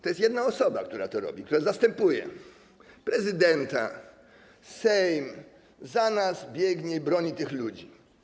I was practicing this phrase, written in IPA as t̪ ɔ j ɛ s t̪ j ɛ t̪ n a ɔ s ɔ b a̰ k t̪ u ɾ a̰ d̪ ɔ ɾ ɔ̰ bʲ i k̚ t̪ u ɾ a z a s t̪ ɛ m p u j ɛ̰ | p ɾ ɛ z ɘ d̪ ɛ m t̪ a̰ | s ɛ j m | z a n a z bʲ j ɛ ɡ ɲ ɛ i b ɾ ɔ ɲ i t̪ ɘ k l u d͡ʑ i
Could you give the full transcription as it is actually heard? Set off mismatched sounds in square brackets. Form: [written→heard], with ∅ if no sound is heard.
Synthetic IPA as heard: t̪ ɔ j ɛ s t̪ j ɛ [t̪→d̪] n a ɔ s ɔ b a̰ k t̪ u ɾ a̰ [d̪→t̪] ɔ ɾ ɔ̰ bʲ i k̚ t̪ u ɾ a z a s t̪ ɛ m p u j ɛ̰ | p ɾ ɛ z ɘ d̪ ɛ [m→n] t̪ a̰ | s ɛ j m | z a n a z bʲ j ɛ ɡ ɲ ɛ i b ɾ ɔ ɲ i t̪ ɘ [k→x] l u d͡ʑ i